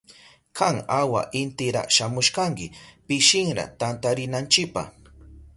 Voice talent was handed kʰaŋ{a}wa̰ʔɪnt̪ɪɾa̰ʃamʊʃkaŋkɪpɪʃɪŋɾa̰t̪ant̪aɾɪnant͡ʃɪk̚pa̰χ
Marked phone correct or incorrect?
correct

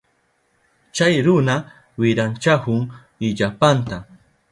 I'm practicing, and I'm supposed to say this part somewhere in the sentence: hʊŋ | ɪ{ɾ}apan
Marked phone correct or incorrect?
incorrect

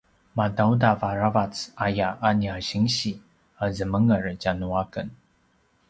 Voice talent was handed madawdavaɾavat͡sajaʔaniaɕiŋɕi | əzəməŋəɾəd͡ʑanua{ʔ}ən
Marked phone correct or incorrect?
incorrect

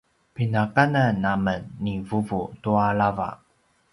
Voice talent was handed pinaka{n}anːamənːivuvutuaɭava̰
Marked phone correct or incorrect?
correct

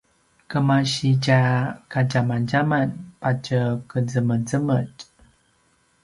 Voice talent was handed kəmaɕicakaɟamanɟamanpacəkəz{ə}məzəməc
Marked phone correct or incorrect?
correct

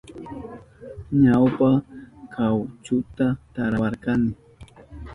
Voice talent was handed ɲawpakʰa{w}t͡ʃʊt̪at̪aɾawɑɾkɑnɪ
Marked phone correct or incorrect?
correct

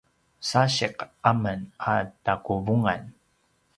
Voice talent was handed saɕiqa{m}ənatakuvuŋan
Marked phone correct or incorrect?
correct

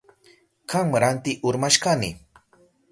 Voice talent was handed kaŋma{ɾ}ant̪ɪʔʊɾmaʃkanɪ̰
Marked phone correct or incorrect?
correct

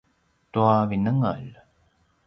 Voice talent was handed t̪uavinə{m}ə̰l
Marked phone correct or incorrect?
incorrect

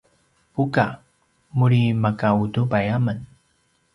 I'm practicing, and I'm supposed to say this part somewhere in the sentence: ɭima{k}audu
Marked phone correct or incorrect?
correct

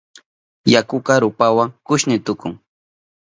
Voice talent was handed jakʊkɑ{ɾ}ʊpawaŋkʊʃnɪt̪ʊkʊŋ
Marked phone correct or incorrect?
correct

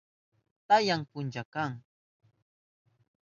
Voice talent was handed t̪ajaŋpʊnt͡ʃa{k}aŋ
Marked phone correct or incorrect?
correct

